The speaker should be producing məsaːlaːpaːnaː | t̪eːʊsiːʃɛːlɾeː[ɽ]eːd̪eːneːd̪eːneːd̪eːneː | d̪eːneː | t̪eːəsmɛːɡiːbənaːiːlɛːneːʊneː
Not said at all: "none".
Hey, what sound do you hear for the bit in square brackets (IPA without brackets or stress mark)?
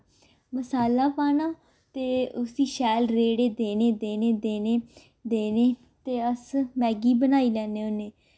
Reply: ɽ